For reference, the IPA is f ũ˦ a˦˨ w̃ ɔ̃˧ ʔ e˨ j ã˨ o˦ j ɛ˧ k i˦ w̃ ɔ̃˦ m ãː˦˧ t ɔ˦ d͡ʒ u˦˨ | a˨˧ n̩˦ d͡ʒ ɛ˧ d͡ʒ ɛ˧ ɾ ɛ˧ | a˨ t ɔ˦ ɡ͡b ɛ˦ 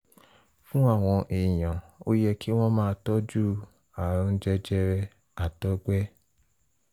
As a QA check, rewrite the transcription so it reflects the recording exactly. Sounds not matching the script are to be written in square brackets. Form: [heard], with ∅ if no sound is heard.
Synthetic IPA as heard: f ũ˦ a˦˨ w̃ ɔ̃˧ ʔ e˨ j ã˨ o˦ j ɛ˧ k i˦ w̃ ɔ̃˦ m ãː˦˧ t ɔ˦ d͡ʒ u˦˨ | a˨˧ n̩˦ d͡ʒ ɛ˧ d͡ʒ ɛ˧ ɾ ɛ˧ | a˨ t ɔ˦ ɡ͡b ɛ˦